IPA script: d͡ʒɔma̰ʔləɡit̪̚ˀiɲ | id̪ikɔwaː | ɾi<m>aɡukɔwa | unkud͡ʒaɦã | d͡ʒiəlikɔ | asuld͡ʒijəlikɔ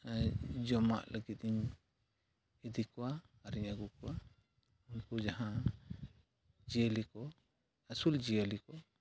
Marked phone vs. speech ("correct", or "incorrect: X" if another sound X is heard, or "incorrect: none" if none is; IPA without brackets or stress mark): incorrect: ɲ